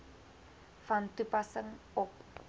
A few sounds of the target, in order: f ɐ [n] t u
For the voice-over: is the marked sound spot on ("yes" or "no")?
yes